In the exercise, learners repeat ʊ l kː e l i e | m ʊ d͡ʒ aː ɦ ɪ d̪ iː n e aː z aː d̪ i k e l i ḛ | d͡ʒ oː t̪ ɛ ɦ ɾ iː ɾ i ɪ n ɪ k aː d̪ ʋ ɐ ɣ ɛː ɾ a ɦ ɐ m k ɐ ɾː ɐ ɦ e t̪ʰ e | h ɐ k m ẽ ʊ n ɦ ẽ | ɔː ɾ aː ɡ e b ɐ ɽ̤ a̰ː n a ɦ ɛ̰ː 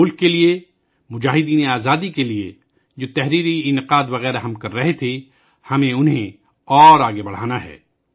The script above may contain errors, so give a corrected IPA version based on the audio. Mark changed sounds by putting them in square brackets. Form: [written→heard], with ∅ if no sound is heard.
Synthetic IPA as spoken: ʊ l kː e l i e | m ʊ d͡ʒ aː ɦ ɪ d̪ iː n e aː z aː d̪ i k e l i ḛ | d͡ʒ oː t̪ ɛ ɦ ɾ iː ɾ i ɪ n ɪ [k→q] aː d̪ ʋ ɐ ɣ ɛː ɾ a ɦ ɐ m k ɐ ɾː ɐ ɦ e t̪ʰ e | h ɐ [k→∅] m ẽ ʊ n ɦ ẽ | ɔː ɾ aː ɡ e b ɐ ɽ̤ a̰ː n a ɦ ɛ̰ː